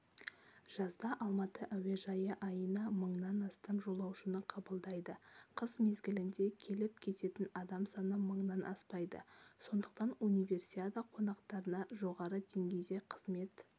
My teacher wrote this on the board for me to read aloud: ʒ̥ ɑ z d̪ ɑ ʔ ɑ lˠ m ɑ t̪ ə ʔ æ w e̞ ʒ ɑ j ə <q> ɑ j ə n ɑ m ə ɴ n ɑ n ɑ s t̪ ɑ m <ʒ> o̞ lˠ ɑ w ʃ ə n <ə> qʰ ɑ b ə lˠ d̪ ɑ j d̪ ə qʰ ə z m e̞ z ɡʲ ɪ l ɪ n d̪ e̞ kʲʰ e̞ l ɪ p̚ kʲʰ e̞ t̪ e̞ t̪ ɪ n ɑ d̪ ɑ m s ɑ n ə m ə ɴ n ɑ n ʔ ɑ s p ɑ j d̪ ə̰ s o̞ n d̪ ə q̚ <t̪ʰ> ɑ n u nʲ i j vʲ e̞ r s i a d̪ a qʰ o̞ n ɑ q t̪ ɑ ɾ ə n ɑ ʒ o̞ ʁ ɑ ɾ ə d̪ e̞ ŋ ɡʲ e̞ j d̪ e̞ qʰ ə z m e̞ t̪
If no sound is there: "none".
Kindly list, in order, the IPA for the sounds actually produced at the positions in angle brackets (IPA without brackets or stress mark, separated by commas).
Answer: ʔ, ʒ, ə, t̪